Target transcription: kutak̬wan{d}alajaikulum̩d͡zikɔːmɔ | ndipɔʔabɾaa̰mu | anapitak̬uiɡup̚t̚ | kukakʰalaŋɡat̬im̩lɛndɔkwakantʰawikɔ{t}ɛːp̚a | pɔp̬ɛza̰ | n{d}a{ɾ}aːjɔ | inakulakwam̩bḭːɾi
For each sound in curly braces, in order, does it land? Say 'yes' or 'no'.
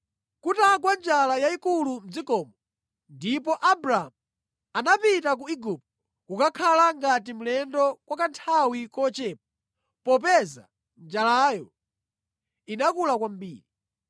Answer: no, no, no, no

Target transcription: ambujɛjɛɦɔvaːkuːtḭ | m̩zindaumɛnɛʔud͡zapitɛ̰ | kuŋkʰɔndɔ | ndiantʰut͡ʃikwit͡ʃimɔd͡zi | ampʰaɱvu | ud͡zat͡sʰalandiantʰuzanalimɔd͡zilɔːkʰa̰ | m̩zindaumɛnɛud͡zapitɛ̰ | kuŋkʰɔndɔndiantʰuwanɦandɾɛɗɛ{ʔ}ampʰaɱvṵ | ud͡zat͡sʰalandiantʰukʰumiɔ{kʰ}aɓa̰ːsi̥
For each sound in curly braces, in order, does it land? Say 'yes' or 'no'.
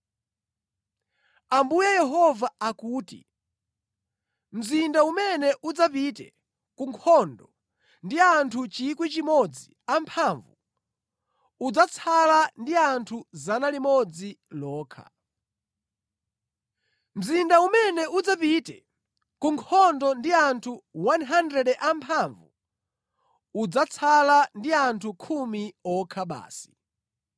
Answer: yes, yes

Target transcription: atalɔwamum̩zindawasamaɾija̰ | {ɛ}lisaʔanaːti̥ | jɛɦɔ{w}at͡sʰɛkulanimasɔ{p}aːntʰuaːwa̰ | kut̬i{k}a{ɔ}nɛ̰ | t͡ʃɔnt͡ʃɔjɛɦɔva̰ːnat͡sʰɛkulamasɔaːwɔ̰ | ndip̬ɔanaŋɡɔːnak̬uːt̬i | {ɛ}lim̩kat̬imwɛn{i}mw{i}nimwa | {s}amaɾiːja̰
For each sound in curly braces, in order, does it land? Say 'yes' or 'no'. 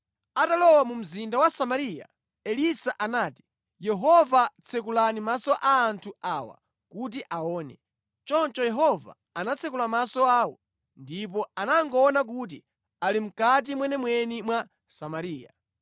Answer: yes, no, no, no, no, no, no, no, yes

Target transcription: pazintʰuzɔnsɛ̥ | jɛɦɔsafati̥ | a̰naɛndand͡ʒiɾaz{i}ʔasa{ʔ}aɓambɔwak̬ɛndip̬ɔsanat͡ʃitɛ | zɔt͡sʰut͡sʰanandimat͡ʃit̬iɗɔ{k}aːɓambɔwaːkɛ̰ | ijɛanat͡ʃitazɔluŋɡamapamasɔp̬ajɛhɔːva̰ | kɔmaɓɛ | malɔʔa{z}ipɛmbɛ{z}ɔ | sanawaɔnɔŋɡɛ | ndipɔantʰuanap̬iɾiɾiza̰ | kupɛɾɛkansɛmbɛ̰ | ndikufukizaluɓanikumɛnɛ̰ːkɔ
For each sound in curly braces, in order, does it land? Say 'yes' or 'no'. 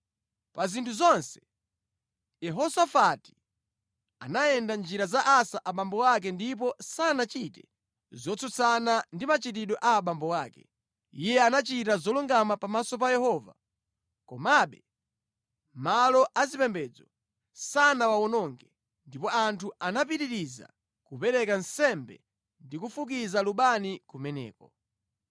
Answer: no, yes, no, yes, no

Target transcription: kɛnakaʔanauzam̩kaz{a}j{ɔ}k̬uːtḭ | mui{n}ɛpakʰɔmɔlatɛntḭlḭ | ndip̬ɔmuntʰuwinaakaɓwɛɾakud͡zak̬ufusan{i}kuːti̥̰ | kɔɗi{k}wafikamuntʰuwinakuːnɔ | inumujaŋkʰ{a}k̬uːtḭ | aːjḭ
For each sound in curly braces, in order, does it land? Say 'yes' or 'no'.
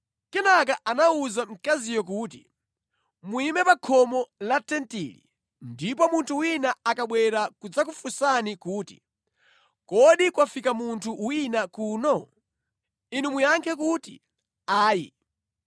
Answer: no, yes, no, yes, yes, no

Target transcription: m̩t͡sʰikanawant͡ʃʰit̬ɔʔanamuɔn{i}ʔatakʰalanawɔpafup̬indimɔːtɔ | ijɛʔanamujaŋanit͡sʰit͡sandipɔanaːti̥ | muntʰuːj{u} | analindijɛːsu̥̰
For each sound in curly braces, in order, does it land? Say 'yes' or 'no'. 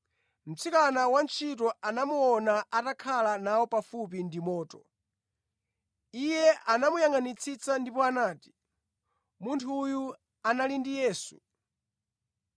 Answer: no, yes

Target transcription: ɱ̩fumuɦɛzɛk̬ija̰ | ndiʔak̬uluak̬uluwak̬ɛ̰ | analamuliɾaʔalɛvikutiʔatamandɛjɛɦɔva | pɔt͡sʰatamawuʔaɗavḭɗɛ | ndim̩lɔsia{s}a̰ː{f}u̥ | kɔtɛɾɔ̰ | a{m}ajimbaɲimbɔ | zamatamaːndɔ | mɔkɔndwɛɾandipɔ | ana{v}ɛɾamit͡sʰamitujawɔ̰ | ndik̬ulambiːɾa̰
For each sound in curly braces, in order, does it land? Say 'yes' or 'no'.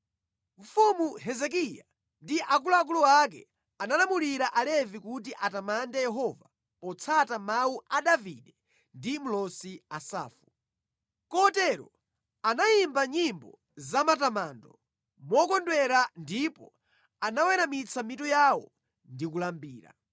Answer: yes, yes, no, no

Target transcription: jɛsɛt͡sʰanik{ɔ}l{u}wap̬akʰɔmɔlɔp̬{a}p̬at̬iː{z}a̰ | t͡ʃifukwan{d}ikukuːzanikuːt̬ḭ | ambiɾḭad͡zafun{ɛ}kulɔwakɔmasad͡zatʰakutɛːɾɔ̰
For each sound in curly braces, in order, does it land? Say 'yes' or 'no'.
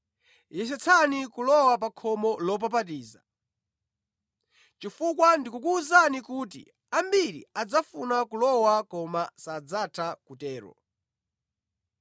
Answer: no, no, yes, yes, yes, no

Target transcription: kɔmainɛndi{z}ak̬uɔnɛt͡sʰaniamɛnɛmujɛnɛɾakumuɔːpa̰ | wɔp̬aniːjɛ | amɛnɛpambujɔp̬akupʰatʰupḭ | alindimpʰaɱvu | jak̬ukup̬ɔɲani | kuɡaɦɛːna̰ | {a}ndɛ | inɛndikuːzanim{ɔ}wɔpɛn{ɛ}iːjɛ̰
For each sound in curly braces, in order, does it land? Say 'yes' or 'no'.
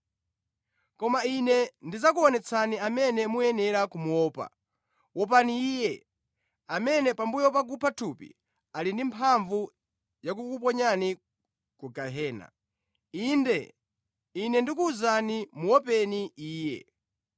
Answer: yes, no, no, no

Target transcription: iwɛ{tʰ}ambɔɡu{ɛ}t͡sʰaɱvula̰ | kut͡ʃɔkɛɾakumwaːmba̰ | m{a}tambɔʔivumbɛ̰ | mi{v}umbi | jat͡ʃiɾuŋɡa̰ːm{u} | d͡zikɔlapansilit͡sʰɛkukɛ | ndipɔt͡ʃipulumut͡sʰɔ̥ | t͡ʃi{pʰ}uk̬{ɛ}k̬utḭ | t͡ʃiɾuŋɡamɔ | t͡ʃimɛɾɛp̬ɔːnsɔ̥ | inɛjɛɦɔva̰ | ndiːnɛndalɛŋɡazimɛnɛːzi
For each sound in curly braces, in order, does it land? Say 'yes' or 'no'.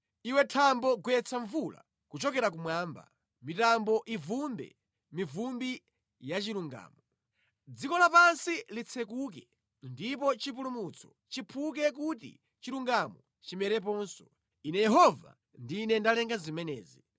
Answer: yes, yes, no, yes, no, yes, yes

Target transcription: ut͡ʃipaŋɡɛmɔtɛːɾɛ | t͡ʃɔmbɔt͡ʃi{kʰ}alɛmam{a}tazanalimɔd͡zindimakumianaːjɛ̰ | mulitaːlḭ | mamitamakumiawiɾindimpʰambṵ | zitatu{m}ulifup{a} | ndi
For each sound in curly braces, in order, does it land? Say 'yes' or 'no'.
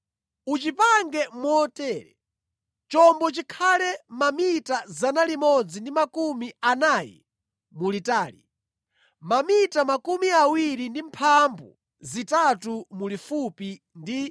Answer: yes, no, yes, no

